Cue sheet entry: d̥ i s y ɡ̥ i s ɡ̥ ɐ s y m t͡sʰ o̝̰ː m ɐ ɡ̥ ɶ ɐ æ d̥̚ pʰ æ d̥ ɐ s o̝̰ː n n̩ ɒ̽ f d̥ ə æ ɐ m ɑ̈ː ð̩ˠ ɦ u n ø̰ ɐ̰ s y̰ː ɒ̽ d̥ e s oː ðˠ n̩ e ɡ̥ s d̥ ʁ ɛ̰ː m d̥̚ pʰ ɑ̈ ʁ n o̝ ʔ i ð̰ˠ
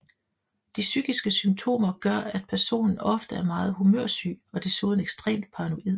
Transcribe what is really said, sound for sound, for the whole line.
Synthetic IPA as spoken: d̥ i s y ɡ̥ i s ɡ̥ ə s y m t͡sʰ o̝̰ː m ɐ ɡ̥ ɶ ɐ æ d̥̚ pʰ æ ɐ s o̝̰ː n n̩ ɒ̽ f d̥ ə æ ɐ m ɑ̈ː ð̩ˠ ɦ u m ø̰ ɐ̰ s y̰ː ɒ̽ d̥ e s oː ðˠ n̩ e ɡ̥ s d̥ ʁ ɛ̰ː m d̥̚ pʰ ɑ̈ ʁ n o̝ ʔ i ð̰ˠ